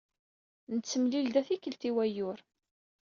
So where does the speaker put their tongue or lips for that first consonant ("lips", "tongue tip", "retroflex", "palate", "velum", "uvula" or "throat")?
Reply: tongue tip